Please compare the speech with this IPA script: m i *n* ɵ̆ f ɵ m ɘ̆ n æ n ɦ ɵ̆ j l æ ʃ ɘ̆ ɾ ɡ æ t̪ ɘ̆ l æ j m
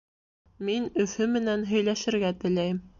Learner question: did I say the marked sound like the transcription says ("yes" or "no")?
yes